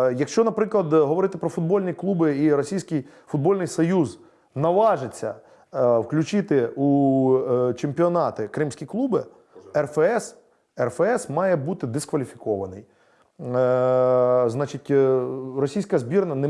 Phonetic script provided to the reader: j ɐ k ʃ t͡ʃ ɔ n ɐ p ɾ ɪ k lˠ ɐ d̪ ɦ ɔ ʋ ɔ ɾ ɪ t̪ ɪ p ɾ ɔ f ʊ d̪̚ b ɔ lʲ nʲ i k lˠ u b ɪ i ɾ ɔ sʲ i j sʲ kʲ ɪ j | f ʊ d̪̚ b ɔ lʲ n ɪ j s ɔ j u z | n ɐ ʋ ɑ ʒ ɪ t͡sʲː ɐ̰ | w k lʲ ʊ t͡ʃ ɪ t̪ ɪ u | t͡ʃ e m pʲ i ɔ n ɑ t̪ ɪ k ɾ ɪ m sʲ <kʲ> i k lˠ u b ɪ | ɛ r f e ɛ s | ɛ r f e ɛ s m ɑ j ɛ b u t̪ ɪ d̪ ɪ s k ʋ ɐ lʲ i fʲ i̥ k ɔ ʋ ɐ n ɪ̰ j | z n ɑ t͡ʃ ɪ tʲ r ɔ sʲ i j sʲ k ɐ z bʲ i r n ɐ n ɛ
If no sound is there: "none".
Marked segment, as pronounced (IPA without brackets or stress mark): kʲ